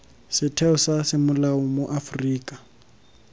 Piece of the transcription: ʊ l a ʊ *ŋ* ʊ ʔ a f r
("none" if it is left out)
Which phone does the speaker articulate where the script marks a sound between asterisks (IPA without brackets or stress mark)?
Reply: m